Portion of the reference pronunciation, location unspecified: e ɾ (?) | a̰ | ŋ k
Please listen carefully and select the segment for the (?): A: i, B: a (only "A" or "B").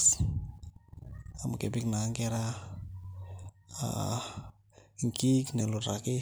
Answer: B